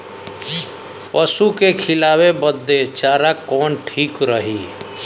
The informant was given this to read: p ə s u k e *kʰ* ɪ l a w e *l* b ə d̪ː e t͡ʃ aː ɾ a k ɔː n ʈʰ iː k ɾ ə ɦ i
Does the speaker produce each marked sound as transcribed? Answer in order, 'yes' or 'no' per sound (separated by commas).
yes, no